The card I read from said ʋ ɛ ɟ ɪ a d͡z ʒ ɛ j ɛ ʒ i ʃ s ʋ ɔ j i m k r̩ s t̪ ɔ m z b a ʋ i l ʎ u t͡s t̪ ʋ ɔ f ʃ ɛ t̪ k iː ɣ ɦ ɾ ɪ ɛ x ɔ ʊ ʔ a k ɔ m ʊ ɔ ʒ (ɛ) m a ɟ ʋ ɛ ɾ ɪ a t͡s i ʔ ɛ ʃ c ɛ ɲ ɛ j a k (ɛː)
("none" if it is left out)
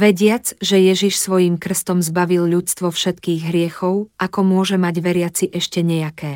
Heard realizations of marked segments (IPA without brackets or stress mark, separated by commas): ɛ, ɛː